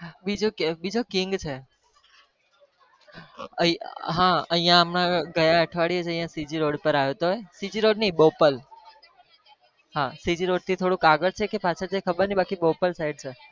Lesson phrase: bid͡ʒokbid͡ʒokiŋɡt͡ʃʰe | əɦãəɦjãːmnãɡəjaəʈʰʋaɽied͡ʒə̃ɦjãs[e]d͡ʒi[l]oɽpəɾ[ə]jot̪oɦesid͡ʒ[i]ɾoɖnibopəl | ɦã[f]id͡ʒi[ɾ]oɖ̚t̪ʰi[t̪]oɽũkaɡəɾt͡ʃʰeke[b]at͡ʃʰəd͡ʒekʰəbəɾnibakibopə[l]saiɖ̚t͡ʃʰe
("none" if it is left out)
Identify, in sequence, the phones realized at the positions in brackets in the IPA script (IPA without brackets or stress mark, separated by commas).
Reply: i, ɾ, a, i, s, ɾ, t̪ʰ, p, l